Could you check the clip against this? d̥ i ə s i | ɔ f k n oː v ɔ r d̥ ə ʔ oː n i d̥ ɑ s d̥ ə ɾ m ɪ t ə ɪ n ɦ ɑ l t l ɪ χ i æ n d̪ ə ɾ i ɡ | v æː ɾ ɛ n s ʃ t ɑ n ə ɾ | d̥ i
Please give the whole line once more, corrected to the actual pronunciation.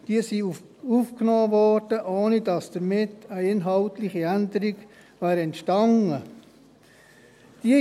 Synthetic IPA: d̥ i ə s i | u f k n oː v ɔ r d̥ ə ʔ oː n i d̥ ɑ s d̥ ə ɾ m ɪ t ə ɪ n ɦ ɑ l t l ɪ χ i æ n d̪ ə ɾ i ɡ | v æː ɾ ɛ n t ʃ t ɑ n ə | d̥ i